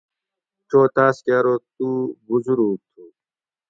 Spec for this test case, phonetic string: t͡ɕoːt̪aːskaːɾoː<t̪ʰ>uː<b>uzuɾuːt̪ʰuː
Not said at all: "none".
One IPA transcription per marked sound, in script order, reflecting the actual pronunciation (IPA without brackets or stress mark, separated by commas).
t̪, b